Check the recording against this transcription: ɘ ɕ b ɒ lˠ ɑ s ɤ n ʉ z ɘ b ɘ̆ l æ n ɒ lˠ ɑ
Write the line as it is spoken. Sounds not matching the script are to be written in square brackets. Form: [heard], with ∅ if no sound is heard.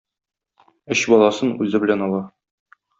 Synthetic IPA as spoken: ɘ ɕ b ɒ lˠ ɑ s ɤ n ʉ z ɘ b ɘ̆ l æ n ɒ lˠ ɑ

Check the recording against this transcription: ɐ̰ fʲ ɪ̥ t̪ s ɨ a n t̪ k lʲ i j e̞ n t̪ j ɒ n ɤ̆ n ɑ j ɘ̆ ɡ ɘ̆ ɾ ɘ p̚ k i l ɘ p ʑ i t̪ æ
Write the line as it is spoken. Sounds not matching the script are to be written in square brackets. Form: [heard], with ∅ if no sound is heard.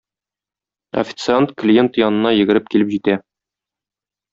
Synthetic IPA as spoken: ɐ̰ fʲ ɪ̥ t̪ s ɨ a n t̪ k lʲ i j e̞ n t̪ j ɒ n ɤ̆ n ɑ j ɘ̆ ɡ ɘ̆ ɾ ɘ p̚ k i l ɘ p ʑ i t̪ æ

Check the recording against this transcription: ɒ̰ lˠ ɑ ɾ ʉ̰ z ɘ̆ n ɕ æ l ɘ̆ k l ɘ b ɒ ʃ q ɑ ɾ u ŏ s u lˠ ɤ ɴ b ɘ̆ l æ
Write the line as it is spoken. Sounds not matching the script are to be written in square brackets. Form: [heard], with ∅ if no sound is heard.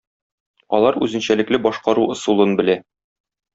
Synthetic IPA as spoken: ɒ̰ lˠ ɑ ɾ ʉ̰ z ɘ̆ n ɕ æ l ɘ̆ k l ɘ b ɒ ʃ q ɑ ɾ u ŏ s u lˠ ɤ [n] b ɘ̆ l æ

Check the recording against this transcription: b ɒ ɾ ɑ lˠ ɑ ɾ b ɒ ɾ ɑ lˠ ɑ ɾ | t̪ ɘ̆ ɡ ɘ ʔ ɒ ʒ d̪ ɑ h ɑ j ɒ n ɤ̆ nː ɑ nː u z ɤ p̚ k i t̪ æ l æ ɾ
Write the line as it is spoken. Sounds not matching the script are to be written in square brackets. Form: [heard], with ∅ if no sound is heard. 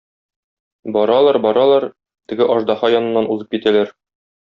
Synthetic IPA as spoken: b ɒ ɾ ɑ lˠ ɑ ɾ b ɒ ɾ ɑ lˠ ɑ ɾ | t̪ ɘ̆ ɡ ɘ ʔ ɒ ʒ d̪ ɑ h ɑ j ɒ n ɤ̆ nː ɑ [n] u z ɤ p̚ k i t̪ æ l æ ɾ

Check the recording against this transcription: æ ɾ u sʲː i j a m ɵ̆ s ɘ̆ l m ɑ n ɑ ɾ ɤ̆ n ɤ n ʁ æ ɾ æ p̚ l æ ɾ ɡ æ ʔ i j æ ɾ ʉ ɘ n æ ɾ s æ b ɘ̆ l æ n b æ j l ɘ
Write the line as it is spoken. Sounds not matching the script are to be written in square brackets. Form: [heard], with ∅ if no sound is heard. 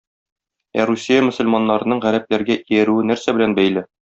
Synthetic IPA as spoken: æ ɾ u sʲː i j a m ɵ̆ s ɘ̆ l m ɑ [nː] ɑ ɾ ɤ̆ n ɤ [ɴ] ʁ æ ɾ æ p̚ l æ ɾ ɡ æ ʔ i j æ ɾ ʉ ɘ n æ ɾ s æ b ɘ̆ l æ n b æ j l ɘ

